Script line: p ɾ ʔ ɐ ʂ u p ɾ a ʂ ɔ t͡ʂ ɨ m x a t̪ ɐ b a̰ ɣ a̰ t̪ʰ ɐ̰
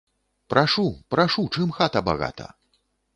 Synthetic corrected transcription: p ɾ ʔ a ʂ u p ɾ a ʂ u t͡ʂ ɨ m x a t̪ ɐ b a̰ ɣ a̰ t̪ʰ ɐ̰